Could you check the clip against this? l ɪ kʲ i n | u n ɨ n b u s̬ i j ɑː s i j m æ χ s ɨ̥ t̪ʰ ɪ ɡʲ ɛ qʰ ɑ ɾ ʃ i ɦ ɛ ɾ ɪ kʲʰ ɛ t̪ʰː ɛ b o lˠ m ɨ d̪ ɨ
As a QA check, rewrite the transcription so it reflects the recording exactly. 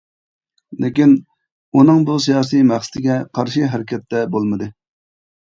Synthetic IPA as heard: l ɪ kʲ i n | u n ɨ ŋ b u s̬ i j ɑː s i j m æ χ s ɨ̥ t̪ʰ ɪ ɡʲ ɛ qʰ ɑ ɾ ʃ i ɦ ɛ ɾ ɪ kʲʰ ɛ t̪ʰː ɛ b o lˠ m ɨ d̪ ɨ

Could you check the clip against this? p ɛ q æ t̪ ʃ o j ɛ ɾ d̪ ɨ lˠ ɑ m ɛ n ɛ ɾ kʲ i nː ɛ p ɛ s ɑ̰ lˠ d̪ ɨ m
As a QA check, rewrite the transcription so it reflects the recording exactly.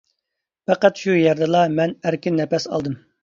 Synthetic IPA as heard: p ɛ q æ t̪ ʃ u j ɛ ɾ d̪ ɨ lˠ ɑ m ɛ n æ ɾ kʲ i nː ɛ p ɛ s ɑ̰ lˠ d̪ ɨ m

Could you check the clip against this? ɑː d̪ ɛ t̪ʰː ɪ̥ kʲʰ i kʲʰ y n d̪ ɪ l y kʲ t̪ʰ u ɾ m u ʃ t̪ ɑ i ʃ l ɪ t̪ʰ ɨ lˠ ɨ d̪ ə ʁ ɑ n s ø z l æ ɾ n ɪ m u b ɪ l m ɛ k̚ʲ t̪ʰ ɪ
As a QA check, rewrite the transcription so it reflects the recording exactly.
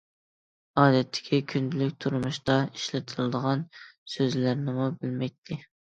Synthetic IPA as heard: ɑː d̪ ɛ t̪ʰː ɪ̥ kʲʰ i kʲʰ y n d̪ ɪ l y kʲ t̪ʰ u ɾ m u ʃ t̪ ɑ i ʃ l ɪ t̪ʰ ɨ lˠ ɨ d̪ ə ʁ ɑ n s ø z l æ ɾ n ɪ m u b ɪ l m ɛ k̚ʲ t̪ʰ ɪ

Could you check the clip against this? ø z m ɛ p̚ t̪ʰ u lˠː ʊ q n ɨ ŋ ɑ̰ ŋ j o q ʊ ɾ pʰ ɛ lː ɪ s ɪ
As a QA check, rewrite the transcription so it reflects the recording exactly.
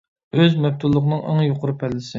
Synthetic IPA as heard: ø z m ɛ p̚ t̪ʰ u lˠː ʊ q n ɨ ŋ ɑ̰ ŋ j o q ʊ ɾ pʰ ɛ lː ɪ s ɪ

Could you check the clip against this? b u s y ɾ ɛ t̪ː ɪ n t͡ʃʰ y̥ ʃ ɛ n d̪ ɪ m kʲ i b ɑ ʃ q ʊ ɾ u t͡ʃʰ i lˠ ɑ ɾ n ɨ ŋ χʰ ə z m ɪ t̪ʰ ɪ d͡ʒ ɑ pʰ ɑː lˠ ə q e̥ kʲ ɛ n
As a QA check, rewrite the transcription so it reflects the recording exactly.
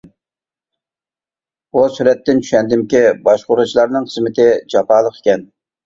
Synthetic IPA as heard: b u s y ɾ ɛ t̪ː ɪ n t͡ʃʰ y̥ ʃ ɛ n d̪ ɪ m kʲ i b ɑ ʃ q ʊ ɾ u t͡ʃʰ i lˠ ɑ ɾ n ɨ ŋ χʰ ə z m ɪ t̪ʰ ɪ d͡ʒ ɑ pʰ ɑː lˠ ə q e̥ kʲ ɛ n

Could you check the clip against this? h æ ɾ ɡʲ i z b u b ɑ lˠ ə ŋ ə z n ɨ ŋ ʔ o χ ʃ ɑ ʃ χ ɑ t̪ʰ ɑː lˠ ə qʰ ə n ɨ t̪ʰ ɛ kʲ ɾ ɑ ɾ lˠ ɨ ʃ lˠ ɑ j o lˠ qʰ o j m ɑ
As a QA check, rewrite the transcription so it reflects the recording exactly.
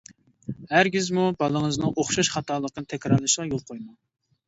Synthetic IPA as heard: h æ ɾ ɡʲ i z m u b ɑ lˠ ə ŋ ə z n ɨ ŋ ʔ o χ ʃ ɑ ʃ χ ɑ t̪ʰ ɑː lˠ ə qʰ ə n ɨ t̪ʰ ɛ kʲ ɾ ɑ ɾ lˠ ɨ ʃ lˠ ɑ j o lˠ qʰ o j m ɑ

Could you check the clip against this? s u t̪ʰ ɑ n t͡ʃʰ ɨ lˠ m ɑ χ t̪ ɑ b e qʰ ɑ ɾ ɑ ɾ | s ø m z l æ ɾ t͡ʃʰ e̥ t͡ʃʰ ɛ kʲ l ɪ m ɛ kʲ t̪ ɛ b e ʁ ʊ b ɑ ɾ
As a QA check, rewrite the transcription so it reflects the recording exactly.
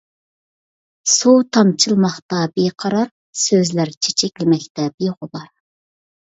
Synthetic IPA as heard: s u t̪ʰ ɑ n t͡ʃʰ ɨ lˠ m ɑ χ t̪ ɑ b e qʰ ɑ ɾ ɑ ɾ | s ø z l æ ɾ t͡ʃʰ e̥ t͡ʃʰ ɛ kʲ l ɪ m ɛ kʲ t̪ ɛ b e ʁ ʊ b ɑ ɾ

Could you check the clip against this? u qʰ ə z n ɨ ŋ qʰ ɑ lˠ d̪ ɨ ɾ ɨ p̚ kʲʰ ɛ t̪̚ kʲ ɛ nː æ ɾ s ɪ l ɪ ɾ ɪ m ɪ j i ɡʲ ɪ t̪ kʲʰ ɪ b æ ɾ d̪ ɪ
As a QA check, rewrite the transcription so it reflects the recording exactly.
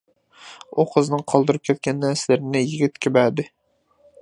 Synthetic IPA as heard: u qʰ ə z n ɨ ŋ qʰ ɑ lˠ d̪ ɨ ɾ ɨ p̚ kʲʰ ɛ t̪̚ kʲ ɛ nː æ ɾ s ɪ l ɪ ɾ ɪ n ɪ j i ɡʲ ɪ t̪ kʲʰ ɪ b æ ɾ d̪ ɪ

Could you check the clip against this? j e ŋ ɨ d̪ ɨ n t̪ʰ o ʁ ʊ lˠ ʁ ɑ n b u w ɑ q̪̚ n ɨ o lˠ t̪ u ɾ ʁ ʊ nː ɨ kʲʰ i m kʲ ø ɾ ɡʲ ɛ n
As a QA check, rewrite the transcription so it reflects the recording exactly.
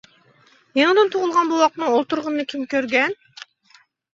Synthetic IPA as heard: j e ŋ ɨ d̪ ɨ n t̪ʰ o ʁ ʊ lˠ ʁ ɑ n b u w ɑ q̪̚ n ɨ o lˠ t̪ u ɾ ʁ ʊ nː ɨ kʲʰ i m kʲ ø ɾ ɡʲ ɛ n

